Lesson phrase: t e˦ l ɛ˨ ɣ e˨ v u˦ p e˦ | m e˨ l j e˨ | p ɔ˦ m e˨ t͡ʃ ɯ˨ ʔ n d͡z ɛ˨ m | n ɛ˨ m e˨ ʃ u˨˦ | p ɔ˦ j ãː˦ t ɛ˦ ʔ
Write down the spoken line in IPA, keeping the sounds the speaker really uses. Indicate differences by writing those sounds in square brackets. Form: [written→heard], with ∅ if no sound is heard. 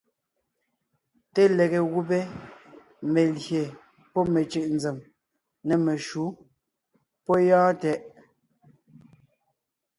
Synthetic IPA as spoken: t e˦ l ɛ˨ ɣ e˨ [v→ɣ] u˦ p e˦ | m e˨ l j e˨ | p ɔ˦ m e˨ t͡ʃ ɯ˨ ʔ n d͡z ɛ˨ m | n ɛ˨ m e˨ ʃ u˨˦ | p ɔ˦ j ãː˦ t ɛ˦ ʔ

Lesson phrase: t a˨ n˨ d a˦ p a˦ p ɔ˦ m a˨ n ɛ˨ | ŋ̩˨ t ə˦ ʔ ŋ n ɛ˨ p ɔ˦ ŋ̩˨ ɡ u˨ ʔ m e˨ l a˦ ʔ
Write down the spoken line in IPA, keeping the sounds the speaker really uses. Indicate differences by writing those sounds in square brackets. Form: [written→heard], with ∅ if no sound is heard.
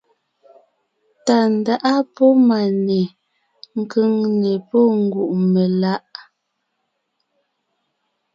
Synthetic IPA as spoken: t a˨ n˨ d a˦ [p→ʔ] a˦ p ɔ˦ m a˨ n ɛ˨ | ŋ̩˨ [t→k] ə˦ [ʔ→∅] ŋ n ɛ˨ p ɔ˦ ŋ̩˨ ɡ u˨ ʔ m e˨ l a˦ ʔ

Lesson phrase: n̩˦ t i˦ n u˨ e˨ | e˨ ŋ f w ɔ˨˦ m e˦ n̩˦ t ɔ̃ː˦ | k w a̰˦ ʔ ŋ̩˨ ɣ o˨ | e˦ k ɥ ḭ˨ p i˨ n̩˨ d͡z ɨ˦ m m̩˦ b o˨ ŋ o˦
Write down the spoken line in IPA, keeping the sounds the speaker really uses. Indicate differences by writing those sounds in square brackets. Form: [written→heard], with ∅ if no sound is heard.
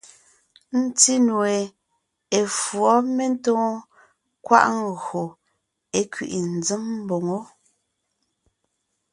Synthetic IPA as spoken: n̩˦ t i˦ n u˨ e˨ | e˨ [ŋ→∅] f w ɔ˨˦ m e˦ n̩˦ t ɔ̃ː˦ | k w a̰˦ ʔ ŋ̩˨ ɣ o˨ | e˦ k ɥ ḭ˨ [p→ʔ] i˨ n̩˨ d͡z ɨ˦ m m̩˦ b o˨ ŋ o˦

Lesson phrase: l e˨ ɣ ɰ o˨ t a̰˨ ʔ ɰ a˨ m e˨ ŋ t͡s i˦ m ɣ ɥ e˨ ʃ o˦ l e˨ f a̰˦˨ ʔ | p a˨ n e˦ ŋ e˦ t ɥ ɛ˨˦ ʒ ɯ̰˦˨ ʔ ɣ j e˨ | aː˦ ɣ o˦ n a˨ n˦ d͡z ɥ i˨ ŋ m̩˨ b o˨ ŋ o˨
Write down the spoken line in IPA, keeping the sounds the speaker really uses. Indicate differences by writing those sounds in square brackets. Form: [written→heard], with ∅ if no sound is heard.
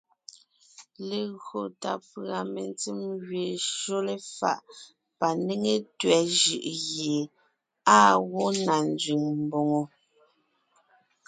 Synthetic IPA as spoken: l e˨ ɣ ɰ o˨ t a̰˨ [ʔ→p] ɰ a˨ m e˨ [ŋ→n] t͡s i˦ m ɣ ɥ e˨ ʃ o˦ l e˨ f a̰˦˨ ʔ | p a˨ n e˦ ŋ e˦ t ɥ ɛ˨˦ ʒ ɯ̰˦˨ ʔ ɣ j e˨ | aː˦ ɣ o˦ n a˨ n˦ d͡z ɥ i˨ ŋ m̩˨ b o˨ ŋ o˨

